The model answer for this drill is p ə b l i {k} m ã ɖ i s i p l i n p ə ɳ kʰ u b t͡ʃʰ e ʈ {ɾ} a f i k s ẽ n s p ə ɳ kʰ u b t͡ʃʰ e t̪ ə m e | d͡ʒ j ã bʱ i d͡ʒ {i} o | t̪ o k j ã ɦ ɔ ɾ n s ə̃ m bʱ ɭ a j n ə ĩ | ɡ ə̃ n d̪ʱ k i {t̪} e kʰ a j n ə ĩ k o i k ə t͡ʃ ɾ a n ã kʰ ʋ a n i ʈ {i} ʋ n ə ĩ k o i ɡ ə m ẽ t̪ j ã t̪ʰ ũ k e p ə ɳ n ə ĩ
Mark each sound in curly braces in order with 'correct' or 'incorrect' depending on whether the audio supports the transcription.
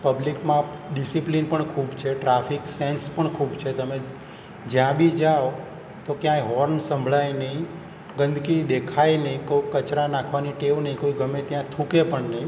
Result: correct, correct, incorrect, incorrect, incorrect

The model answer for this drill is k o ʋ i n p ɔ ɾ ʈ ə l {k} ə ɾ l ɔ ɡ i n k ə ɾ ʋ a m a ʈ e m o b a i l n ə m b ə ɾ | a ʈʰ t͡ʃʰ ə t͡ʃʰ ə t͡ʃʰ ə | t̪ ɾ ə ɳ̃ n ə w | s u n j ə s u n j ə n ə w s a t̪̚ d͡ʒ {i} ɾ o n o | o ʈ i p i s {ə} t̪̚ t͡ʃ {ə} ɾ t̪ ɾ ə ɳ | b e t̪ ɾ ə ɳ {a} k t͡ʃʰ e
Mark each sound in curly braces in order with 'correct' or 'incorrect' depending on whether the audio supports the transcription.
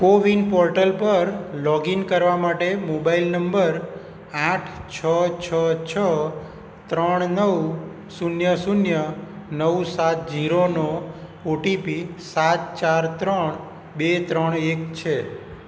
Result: incorrect, correct, incorrect, incorrect, incorrect

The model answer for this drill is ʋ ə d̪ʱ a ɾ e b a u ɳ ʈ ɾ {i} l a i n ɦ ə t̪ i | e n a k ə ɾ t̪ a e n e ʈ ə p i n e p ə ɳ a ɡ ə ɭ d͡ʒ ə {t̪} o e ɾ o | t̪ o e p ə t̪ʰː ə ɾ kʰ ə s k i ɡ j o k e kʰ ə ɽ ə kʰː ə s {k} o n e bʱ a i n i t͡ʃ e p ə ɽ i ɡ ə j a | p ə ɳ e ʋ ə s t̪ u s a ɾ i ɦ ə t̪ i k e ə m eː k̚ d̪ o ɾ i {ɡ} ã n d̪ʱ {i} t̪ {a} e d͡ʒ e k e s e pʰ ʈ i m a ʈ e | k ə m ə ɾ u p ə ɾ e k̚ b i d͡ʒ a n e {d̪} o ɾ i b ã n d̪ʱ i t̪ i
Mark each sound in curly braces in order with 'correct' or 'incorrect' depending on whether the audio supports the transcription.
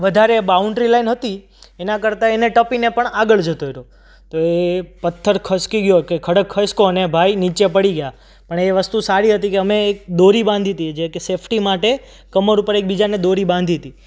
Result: correct, correct, correct, incorrect, correct, incorrect, correct

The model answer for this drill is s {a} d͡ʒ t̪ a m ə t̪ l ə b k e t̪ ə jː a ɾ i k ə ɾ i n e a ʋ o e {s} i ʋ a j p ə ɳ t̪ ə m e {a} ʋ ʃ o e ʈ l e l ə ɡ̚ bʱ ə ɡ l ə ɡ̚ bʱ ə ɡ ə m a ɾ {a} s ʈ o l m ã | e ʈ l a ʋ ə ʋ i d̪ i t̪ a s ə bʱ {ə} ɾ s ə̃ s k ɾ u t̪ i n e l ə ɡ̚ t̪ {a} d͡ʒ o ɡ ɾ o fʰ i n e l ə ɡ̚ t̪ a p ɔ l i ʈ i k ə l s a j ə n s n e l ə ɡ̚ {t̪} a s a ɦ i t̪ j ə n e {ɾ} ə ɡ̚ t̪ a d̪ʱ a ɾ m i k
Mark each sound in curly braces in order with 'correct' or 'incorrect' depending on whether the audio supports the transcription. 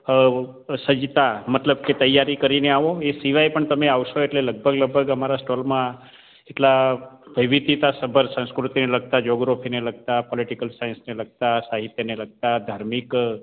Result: incorrect, correct, correct, correct, correct, correct, correct, incorrect

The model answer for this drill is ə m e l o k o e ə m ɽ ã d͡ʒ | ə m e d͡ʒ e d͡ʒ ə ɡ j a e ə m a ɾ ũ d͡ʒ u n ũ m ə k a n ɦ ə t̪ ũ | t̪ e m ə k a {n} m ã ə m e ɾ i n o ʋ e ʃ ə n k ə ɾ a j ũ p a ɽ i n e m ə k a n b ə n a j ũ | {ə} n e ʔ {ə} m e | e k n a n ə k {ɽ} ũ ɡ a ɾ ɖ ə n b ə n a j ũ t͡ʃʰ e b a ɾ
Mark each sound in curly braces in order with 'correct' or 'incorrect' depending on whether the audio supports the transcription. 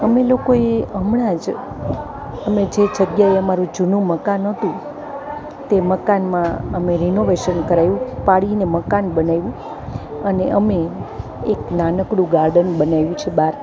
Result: correct, correct, correct, correct

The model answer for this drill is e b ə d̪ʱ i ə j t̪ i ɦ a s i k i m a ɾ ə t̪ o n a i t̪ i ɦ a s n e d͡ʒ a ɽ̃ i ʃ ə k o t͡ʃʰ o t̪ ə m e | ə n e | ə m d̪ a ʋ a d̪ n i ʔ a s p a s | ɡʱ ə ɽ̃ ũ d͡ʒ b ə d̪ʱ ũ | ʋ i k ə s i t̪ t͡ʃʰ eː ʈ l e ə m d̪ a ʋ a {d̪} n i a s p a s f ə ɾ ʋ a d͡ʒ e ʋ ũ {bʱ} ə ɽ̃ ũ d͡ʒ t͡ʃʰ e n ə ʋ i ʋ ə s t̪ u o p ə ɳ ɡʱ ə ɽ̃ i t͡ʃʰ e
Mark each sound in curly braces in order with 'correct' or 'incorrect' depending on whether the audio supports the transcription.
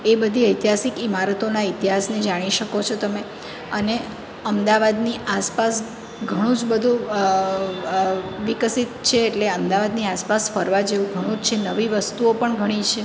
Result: correct, incorrect

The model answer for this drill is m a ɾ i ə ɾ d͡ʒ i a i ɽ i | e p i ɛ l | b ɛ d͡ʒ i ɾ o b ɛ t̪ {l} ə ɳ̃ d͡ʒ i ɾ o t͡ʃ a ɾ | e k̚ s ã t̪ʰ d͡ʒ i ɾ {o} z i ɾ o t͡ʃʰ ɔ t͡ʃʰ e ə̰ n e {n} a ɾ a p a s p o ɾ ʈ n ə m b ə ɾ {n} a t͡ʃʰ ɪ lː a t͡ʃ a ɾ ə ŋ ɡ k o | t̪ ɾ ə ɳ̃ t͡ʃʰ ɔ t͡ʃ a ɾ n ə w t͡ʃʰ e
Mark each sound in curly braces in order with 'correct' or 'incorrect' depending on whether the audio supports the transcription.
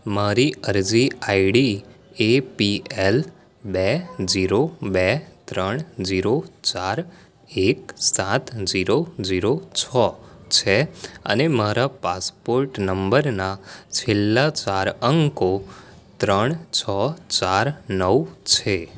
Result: incorrect, correct, incorrect, correct

